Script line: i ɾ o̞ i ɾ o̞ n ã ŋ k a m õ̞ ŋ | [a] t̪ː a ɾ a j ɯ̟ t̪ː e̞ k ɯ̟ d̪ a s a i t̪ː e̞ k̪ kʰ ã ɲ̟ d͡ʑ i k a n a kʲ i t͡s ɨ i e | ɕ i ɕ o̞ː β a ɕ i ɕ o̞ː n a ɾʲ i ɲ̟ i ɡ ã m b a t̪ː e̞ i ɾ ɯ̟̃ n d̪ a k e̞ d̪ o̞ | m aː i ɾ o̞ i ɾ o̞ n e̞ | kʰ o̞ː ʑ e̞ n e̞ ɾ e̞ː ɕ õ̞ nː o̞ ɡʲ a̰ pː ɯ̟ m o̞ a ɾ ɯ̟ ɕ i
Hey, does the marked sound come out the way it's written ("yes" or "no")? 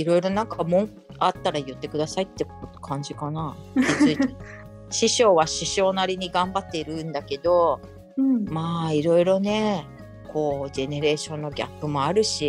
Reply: yes